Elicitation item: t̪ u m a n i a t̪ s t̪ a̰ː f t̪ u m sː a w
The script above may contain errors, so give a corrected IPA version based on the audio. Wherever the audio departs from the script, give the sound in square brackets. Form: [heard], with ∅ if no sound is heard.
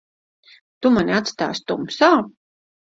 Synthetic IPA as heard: t̪ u m a n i a t̪ s t̪ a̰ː [s] t̪ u m [s] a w